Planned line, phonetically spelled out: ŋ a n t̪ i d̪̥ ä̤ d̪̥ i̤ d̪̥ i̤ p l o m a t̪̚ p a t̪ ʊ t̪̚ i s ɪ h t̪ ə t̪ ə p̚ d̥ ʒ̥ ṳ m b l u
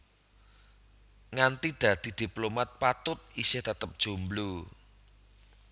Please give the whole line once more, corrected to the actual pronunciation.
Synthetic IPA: ŋ a n t̪ i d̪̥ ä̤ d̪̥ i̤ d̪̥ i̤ p l o m a t̪̚ p a t̪ ʊ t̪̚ i s ɪ h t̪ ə t̪ ə p̚ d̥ ʒ̥ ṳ m b l u